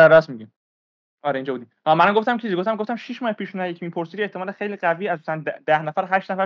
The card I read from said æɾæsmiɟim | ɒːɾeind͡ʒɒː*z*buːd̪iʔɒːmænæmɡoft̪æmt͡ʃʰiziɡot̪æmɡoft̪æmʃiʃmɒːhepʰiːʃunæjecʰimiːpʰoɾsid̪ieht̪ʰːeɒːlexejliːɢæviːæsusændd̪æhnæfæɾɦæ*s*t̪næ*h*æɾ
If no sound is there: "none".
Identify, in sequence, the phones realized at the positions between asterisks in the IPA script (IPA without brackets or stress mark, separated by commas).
none, ʃ, f